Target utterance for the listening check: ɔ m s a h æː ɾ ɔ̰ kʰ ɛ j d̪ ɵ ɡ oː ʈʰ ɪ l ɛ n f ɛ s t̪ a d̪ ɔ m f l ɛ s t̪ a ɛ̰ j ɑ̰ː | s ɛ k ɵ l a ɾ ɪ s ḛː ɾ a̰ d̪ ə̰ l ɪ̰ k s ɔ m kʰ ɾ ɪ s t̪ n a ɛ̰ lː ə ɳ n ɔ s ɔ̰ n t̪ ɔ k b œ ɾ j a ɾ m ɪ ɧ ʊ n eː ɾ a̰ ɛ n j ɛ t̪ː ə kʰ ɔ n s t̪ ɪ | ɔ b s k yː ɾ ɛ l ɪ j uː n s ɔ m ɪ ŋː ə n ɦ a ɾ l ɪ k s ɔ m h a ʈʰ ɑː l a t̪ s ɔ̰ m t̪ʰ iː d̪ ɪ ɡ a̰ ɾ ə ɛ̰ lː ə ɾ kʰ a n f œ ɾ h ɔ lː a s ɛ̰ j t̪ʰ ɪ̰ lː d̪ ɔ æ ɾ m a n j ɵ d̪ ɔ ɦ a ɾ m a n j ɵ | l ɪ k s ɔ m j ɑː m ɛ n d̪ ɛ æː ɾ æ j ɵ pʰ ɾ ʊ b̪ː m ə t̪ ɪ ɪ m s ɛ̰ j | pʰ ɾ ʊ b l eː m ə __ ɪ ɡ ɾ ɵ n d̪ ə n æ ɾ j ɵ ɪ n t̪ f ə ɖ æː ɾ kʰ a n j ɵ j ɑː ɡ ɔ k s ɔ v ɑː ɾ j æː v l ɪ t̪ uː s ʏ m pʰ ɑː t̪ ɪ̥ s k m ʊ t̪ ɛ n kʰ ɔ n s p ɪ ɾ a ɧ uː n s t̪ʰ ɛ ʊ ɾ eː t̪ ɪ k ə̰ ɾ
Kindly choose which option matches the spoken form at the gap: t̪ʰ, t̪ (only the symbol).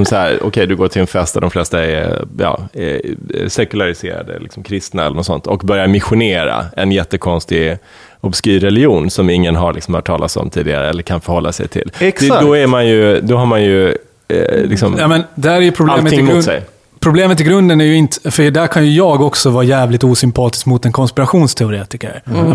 t̪